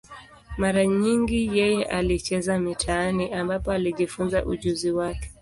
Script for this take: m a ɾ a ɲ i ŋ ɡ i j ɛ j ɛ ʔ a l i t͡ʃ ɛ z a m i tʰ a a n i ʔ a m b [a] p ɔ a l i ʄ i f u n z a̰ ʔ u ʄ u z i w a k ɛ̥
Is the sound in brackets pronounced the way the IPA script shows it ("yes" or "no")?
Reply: yes